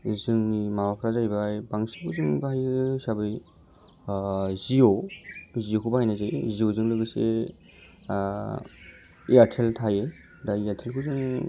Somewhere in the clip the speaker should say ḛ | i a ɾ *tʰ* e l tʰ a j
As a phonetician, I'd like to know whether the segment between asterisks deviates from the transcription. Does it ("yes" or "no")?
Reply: no